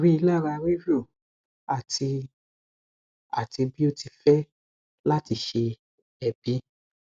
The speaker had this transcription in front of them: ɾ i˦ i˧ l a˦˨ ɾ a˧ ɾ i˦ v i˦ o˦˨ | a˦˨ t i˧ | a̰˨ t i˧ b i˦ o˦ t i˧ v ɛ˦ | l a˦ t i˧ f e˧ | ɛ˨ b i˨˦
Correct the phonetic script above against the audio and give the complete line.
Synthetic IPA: ɾ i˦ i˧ l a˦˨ ɾ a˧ ɾ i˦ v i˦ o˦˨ | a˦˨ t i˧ | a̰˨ t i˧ b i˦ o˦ t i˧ f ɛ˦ | l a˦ t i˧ ʃ e˧ | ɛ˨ b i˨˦